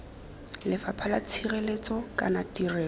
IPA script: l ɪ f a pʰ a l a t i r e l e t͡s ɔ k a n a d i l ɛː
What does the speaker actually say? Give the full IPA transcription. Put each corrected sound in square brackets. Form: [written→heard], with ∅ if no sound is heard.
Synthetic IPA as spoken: l ɪ f a pʰ a l a [t→t͡sʰ] i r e l e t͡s ɔ k a n a [d→t] i [l→r] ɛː